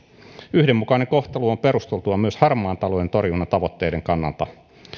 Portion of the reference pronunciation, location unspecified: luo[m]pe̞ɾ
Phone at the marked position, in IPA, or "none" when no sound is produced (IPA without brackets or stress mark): m